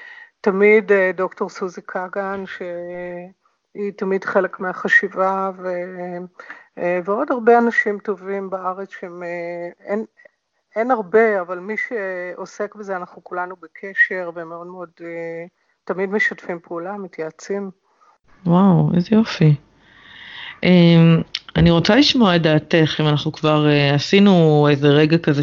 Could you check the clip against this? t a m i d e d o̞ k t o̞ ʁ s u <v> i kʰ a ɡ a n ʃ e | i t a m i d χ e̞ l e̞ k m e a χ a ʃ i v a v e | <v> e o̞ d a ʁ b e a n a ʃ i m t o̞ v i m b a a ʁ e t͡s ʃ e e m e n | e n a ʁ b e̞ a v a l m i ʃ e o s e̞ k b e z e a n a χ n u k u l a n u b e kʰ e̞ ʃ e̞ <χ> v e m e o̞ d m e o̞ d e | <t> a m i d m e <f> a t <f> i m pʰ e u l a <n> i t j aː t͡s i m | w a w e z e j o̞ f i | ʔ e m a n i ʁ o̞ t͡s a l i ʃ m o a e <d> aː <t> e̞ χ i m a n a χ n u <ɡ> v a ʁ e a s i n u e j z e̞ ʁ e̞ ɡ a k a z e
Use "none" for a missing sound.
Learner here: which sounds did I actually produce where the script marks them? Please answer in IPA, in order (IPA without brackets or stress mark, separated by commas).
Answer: z, v, ʁ, t, ʃ, f, m, d, t, k